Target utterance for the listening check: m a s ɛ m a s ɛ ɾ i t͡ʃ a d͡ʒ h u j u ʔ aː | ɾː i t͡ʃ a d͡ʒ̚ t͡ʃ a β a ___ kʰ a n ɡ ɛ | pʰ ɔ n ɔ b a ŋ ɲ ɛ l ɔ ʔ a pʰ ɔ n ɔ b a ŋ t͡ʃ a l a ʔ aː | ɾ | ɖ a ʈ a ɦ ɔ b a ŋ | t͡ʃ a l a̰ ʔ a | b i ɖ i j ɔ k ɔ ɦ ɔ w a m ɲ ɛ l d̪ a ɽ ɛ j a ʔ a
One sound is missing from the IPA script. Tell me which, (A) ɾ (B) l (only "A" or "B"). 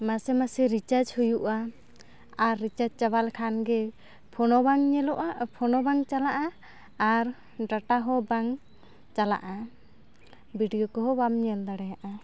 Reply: B